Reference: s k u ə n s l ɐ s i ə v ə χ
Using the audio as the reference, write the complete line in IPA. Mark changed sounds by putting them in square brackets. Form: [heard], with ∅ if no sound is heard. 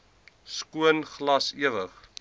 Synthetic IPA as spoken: s k u ə n [χ] l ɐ s i ə v ə χ